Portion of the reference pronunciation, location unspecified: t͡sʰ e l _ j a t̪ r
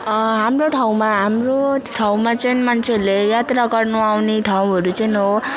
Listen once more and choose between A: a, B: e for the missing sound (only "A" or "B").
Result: B